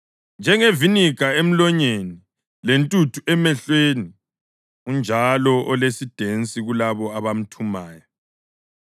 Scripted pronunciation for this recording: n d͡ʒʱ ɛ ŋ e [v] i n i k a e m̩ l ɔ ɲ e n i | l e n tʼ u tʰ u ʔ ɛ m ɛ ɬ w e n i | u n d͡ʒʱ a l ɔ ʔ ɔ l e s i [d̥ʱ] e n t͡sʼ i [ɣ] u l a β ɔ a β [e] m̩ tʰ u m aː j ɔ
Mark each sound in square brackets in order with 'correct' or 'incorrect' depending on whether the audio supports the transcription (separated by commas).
correct, correct, correct, incorrect